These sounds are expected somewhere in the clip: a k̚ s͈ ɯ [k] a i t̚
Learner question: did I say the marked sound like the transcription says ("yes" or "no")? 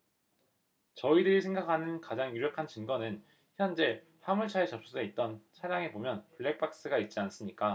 no